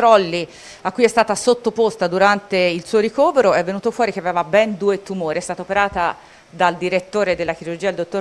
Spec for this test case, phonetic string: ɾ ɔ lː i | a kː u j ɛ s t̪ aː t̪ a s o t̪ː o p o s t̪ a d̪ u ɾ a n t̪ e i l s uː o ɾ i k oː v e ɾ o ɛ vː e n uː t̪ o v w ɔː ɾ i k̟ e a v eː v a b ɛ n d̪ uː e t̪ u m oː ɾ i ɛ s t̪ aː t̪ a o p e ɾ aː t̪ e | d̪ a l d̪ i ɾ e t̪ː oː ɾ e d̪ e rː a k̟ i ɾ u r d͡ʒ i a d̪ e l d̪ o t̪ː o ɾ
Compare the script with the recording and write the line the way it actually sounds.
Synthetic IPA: ɾ ɔ lː i | a kː u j ɛ s t̪ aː t̪ a s o t̪ː o p o s t̪ a d̪ u ɾ a n t̪ e i l s uː o ɾ i k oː v e ɾ o ɛ vː e n uː t̪ o f w ɔː ɾ i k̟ e a v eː v a b ɛ n d̪ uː e t̪ u m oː ɾ i ɛ s t̪ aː t̪ a o p e ɾ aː t̪ a | d̪ a l d̪ i ɾ e t̪ː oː ɾ e d̪ e lː a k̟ i ɾ u r d͡ʒ i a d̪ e l d̪ o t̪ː o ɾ